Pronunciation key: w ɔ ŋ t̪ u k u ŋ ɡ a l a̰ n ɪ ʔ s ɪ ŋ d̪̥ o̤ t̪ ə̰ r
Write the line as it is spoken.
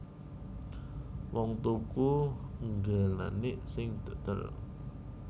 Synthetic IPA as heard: w ɔ ŋ t̪ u k u ŋ ɡ a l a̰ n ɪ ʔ s ɪ ŋ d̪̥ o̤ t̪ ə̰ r